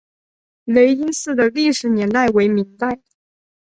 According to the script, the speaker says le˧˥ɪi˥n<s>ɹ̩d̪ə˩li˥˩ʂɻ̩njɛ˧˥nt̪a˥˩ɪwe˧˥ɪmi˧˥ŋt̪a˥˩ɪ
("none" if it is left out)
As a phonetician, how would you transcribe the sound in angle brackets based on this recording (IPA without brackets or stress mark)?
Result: s